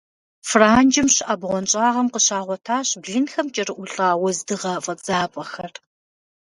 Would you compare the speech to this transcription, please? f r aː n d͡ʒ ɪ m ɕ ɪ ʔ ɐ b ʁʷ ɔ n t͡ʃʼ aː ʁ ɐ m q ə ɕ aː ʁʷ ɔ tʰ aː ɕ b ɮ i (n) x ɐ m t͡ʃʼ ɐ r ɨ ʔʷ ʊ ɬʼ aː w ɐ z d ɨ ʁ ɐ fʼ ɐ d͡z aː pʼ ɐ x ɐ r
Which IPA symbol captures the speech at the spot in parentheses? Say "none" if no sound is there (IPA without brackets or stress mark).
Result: n